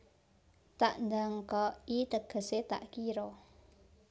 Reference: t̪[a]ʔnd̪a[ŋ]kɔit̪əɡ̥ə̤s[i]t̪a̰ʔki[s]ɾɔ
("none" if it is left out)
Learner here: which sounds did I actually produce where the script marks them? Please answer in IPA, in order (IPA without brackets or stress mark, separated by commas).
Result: a, ŋ, e, none